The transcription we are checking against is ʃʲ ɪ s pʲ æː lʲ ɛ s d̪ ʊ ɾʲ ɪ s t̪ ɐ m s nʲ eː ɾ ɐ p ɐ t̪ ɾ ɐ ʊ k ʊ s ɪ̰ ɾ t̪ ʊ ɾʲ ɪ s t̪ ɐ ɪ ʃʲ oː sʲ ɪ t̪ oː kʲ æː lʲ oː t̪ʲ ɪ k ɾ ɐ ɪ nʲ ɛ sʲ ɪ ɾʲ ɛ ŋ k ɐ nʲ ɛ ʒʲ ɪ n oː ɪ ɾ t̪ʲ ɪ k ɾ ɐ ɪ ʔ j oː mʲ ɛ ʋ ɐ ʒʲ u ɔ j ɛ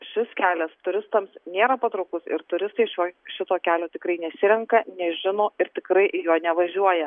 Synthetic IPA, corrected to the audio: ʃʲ ɪ s kʲ æː lʲ ɛ s t̪ ʊ ɾʲ ɪ s t̪ ɐ m s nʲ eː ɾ ɐ p ɐ t̪ ɾ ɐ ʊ k ʊ s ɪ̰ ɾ t̪ ʊ ɾʲ ɪ s t̪ ɐ ɪ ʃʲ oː ʃʲ ɪ t̪ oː kʲ æː lʲ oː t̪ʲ ɪ k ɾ ɐ ɪ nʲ ɛ sʲ ɪ ɾʲ ɛ ŋ k ɐ nʲ ɛ ʒʲ ɪ n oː ɪ ɾ t̪ʲ ɪ k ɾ ɐ ɪ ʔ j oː nʲ ɛ ʋ ɐ ʒʲ u ɔ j ɛ